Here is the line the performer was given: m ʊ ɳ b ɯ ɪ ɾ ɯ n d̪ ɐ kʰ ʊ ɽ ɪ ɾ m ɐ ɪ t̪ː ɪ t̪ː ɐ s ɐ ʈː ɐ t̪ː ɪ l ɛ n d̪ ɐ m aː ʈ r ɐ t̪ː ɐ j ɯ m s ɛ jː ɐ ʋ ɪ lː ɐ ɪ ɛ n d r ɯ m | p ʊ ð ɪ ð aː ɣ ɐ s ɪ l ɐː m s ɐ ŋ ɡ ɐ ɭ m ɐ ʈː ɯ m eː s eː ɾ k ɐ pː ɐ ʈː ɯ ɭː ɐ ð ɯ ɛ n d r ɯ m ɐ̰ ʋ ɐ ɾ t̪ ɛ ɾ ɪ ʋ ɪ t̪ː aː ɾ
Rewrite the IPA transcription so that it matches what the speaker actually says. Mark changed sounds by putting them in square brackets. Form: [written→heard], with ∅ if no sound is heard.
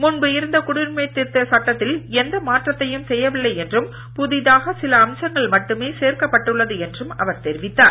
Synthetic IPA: m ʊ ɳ b ɯ ɪ ɾ ɯ n d̪ ɐ [kʰ→k] ʊ ɽ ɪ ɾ m ɐ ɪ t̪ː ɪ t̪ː ɐ s ɐ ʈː ɐ t̪ː ɪ l ɛ n d̪ ɐ m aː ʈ r ɐ t̪ː ɐ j ɯ m s ɛ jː ɐ ʋ ɪ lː ɐ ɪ ɛ n d r ɯ m | p ʊ ð ɪ ð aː ɣ ɐ s ɪ l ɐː m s ɐ ŋ ɡ ɐ ɭ m ɐ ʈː ɯ m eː s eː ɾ k ɐ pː ɐ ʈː ɯ ɭː ɐ ð ɯ ɛ n d r ɯ m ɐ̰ ʋ ɐ ɾ t̪ ɛ ɾ ɪ ʋ ɪ t̪ː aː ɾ